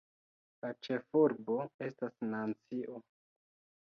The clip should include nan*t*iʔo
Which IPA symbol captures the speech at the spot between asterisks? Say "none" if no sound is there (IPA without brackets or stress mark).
t͡s